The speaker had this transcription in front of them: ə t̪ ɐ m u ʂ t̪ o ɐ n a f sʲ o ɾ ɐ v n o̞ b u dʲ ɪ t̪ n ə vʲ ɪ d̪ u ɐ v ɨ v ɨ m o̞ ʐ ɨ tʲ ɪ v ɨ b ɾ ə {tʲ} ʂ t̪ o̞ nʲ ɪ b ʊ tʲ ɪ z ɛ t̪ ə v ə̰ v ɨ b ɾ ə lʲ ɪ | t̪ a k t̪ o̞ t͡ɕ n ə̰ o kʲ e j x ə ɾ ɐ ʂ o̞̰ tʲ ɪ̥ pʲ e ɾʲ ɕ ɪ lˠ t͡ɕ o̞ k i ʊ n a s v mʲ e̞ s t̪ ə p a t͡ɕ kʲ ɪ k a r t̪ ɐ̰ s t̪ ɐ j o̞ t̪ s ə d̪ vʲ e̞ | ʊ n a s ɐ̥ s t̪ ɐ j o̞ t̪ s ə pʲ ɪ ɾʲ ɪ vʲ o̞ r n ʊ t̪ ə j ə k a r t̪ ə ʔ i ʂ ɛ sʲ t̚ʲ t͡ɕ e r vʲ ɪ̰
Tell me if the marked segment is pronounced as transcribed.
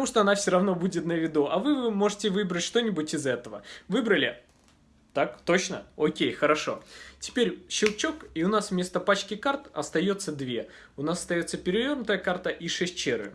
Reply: yes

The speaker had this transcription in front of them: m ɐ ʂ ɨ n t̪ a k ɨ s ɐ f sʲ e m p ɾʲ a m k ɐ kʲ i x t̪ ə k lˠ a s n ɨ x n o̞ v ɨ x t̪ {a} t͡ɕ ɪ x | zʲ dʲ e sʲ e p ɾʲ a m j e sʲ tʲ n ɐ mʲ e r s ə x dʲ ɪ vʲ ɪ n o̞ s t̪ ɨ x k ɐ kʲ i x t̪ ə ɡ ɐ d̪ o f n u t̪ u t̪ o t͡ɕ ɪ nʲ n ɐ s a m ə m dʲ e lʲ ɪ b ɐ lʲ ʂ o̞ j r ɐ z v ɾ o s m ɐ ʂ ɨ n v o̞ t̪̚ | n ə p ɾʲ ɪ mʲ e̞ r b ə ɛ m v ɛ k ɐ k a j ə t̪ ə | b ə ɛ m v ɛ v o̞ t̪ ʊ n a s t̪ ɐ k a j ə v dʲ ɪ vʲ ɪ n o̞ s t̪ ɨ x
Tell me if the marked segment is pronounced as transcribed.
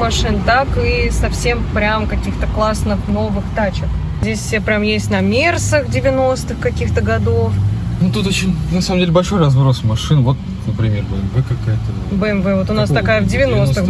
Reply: yes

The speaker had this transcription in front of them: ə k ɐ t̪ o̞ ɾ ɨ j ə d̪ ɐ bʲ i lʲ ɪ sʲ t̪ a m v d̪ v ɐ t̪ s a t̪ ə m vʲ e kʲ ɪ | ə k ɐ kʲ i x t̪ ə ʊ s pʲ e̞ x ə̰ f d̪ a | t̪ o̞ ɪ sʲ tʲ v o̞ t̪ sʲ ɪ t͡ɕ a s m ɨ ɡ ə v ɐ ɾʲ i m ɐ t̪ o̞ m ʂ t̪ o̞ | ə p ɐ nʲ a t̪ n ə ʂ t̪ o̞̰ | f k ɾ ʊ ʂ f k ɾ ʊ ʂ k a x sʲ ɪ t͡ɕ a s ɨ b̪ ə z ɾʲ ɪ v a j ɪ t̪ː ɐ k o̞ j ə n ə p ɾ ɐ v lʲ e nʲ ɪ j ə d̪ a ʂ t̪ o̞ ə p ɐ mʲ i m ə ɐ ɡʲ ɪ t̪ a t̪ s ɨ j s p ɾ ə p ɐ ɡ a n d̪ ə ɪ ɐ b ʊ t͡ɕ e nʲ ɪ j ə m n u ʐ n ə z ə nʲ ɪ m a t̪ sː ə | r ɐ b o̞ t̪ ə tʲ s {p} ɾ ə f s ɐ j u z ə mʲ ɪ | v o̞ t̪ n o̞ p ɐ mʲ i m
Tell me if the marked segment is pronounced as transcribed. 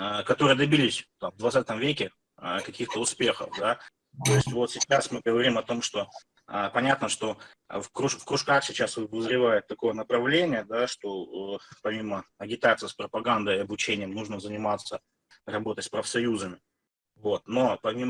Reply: yes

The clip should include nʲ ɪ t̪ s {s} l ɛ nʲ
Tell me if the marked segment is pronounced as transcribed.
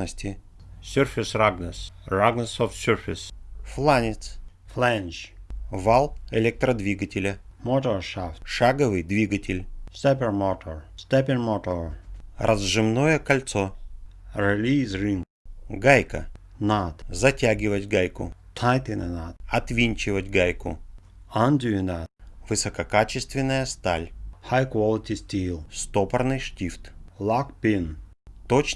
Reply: no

